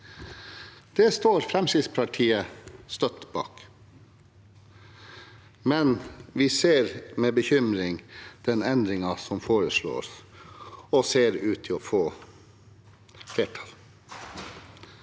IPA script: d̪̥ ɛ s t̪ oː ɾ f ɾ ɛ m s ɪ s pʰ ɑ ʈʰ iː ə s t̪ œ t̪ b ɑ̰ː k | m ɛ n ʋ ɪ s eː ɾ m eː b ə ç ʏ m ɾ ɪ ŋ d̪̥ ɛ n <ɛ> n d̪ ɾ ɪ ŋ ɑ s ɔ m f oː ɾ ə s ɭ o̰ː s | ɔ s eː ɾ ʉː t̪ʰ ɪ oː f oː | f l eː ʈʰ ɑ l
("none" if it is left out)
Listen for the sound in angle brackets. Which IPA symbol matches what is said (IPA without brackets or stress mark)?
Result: ɛ